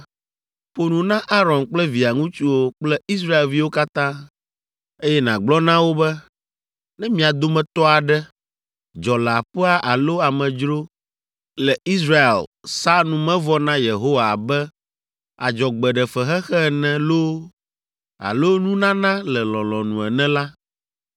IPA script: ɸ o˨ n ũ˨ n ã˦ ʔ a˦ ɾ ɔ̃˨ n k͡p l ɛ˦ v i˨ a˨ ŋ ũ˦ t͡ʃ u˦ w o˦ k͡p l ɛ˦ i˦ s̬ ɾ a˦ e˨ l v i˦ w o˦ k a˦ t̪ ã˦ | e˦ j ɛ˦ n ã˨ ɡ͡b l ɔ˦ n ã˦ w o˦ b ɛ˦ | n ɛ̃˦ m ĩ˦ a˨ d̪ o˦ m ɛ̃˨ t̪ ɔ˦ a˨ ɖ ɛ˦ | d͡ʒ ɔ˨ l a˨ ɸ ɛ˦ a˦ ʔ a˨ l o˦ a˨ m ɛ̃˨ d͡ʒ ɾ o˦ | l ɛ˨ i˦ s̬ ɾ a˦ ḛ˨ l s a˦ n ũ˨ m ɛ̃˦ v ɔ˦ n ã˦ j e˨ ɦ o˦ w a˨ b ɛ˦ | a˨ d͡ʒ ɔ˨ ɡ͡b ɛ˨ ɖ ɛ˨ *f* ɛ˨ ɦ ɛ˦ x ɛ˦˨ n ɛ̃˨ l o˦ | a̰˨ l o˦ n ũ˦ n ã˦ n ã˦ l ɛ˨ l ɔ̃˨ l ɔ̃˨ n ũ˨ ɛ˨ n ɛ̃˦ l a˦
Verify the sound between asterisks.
correct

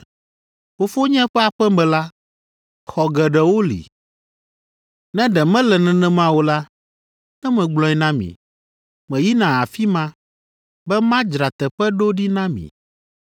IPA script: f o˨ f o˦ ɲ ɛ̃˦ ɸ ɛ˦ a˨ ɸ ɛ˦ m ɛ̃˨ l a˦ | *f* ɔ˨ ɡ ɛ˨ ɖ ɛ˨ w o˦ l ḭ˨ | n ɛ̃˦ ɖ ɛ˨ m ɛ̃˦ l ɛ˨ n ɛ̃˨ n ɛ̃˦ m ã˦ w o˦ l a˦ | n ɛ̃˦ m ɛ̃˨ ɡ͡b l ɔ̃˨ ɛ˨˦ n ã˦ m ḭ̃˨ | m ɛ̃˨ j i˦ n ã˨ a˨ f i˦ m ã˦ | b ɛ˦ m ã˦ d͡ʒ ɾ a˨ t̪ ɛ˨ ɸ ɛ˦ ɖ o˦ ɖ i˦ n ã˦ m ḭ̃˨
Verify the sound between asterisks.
incorrect: x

